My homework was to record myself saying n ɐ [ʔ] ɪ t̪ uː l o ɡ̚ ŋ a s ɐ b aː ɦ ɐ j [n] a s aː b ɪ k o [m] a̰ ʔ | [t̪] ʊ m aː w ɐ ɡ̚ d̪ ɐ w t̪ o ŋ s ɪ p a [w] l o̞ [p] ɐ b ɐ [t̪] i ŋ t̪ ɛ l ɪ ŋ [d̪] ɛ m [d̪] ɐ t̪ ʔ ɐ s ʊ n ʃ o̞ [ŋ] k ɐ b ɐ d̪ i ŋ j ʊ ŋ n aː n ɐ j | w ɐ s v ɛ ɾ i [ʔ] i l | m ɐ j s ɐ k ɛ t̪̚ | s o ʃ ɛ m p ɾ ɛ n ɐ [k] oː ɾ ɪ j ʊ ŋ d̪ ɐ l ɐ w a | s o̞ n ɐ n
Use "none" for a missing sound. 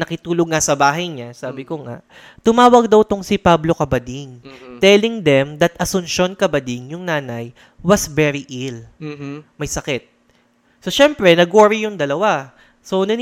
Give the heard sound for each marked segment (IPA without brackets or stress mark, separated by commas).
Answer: k, ɲ, ŋ, t̪, b, k, d̪, d̪, d̪, n, ʔ, ɡ